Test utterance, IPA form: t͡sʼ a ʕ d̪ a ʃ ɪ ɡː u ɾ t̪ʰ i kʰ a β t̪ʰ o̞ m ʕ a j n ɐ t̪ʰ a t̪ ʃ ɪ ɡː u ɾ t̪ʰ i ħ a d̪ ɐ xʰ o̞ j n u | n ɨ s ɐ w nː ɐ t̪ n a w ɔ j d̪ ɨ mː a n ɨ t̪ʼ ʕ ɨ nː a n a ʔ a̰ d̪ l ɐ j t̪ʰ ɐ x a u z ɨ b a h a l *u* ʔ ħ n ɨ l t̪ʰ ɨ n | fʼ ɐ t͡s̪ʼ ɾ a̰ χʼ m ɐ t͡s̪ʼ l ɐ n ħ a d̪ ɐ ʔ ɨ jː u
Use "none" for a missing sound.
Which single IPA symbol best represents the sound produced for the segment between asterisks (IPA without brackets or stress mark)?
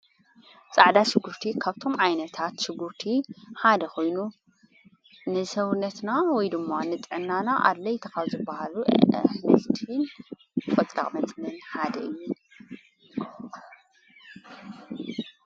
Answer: u